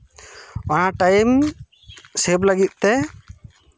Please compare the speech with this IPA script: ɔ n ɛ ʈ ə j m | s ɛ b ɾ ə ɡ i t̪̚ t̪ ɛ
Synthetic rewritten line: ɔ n a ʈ a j m | s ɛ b l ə ɡ i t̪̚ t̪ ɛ